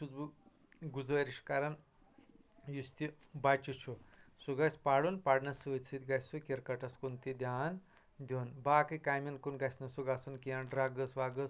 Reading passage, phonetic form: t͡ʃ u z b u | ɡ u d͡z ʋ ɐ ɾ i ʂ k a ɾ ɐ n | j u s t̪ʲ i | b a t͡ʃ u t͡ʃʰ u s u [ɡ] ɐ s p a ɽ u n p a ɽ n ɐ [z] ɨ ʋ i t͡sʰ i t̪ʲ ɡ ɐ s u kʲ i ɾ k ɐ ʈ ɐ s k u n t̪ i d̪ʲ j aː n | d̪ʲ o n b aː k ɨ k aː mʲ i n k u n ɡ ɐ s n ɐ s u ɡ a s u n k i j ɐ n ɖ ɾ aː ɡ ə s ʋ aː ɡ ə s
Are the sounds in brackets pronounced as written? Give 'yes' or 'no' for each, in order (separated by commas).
yes, no